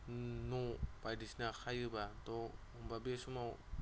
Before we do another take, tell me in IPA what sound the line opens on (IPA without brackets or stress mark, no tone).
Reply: n